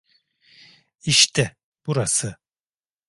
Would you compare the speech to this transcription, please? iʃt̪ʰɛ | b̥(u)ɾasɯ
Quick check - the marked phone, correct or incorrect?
correct